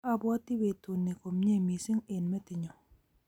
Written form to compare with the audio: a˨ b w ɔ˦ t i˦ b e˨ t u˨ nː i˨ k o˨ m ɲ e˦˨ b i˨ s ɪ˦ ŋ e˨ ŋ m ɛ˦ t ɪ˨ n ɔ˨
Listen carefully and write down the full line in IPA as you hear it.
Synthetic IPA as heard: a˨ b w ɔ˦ t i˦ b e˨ t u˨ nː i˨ k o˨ m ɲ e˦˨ m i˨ s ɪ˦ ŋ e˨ n m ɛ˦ t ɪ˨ ɲ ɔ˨

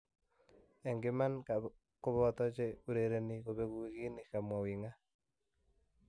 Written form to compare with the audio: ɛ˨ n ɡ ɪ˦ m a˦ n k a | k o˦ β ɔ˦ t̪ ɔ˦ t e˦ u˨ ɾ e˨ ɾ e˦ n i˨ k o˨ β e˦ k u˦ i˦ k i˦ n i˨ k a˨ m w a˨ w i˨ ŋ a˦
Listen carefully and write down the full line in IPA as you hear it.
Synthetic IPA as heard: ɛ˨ ŋ ɡ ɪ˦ m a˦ n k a | k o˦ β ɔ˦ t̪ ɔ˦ t͡ʃ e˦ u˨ ɾ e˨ ɾ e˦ n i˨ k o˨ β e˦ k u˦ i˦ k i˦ n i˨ k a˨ m w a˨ w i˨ ŋ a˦

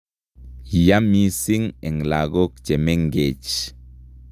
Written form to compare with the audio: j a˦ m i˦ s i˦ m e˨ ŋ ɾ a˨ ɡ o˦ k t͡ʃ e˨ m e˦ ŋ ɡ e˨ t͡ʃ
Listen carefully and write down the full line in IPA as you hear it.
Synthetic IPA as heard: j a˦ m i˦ s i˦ ŋ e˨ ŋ l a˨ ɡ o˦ k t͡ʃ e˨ m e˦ ŋ ɡ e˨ t͡ʃ

